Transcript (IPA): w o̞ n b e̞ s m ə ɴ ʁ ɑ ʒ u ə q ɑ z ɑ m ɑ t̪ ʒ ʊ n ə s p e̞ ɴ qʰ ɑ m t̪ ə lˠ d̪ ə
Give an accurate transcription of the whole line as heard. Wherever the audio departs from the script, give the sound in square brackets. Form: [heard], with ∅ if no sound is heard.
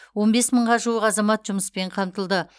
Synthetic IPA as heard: w o̞ n b e̞ s m ə ɴ ʁ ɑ ʒ u ə q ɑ z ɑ m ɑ t̪ ʒ ʊ [m] ə s p e̞ ɴ qʰ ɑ m t̪ ə lˠ d̪ ə